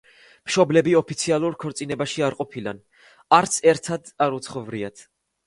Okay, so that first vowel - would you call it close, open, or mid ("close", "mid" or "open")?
mid